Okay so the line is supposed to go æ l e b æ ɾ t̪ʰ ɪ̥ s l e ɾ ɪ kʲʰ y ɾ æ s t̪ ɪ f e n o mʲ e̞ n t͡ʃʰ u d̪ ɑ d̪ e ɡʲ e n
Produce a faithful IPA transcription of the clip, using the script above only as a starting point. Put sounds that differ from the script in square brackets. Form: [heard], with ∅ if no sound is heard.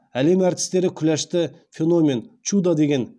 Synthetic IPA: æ l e [m] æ ɾ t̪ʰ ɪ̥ s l e ɾ ɪ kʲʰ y [l] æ [ʃ] t̪ ɪ f e n o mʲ e̞ n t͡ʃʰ u d̪ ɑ d̪ e ɡʲ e n